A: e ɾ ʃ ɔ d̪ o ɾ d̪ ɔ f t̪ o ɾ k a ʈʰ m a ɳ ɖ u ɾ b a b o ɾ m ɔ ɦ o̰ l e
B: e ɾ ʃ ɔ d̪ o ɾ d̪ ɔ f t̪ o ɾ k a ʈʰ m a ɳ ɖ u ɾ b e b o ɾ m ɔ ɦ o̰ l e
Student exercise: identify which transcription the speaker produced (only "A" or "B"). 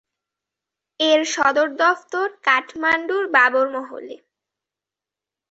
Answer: A